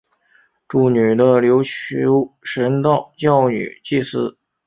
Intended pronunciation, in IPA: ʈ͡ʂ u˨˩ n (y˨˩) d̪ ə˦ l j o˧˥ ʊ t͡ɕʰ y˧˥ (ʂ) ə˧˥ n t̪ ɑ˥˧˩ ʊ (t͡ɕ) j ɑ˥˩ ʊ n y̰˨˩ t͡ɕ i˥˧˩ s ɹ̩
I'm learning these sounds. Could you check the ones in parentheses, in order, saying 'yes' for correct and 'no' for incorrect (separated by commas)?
yes, yes, yes